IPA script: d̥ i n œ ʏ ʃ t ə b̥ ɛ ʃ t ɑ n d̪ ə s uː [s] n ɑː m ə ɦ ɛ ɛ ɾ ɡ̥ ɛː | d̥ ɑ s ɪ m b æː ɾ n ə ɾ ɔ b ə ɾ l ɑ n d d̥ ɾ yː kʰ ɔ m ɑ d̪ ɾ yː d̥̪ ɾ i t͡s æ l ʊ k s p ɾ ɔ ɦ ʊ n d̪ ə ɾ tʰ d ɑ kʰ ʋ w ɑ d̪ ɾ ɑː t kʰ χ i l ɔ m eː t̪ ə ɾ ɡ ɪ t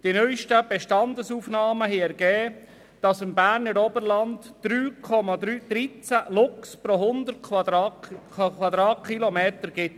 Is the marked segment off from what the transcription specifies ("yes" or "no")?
yes